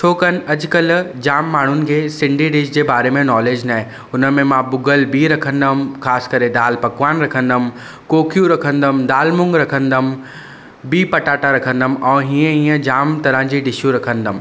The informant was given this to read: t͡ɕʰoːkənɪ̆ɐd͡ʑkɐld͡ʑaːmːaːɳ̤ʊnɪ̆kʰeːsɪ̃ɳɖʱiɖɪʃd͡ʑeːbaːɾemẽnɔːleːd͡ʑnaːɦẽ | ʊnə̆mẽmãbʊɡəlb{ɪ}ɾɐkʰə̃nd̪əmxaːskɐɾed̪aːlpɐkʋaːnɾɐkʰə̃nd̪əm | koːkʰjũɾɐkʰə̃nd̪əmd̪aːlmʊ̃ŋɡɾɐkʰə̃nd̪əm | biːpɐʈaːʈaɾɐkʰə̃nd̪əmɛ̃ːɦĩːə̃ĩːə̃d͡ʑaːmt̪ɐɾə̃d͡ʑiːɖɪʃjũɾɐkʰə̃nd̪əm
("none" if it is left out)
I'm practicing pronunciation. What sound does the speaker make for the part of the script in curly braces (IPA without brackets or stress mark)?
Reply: i